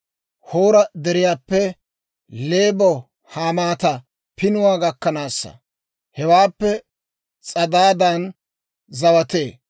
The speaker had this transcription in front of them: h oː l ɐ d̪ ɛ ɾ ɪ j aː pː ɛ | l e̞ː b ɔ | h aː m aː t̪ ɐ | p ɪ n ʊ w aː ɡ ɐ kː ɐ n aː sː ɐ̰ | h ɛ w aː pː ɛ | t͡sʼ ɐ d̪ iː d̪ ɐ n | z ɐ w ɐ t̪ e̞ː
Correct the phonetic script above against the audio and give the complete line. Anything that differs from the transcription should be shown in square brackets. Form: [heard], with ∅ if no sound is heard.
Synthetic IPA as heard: h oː [ɾ] ɐ d̪ ɛ ɾ ɪ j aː pː ɛ | l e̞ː b ɔ | h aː m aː t̪ ɐ | p ɪ n ʊ w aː ɡ ɐ kː ɐ n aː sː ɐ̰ | h ɛ w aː pː ɛ | t͡sʼ ɐ d̪ [aː] d̪ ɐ n | z ɐ w ɐ t̪ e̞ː